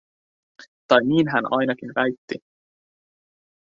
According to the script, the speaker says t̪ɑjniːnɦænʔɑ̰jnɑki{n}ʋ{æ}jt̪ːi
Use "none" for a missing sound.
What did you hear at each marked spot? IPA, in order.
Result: n, æ

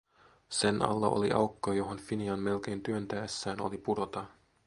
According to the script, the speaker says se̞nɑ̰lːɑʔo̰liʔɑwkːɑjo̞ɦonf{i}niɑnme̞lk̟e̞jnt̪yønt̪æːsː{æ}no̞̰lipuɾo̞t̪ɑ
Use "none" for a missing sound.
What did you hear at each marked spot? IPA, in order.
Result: i, æː

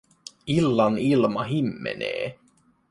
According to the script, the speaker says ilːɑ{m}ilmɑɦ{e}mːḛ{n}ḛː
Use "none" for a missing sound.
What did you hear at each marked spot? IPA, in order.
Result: n, i, n

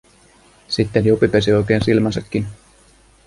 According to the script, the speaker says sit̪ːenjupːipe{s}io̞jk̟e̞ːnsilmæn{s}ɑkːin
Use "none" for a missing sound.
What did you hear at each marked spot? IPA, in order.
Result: s, s

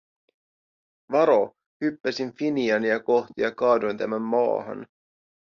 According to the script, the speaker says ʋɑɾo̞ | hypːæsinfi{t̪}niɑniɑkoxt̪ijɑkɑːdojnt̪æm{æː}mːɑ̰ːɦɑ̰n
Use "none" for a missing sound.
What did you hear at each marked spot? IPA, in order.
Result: none, æ

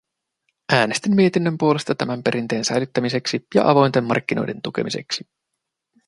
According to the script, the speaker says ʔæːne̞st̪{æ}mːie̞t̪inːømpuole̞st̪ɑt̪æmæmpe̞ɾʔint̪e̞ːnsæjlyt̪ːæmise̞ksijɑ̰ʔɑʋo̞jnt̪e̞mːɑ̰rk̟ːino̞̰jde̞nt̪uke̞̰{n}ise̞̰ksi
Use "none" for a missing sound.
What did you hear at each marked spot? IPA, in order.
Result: i, m

